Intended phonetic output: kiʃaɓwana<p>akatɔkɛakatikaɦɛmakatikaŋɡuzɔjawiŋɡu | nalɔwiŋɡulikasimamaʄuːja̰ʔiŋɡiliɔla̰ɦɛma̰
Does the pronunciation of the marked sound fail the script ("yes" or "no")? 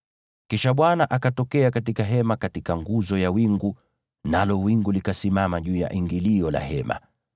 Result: yes